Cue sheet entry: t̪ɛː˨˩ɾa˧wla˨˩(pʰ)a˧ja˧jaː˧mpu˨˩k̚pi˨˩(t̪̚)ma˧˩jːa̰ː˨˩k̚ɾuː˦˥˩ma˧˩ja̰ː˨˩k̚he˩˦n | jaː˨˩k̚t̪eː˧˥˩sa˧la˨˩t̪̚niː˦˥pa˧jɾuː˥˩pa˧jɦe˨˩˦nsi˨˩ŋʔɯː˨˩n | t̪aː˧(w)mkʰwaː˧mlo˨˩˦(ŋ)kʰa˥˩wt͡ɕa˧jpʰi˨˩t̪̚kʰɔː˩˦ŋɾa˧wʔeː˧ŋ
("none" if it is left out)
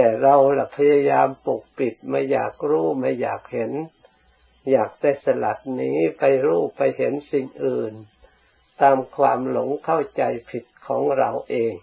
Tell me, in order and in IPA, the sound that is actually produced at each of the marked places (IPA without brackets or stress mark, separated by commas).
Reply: pʰ, t̪̚, none, ŋ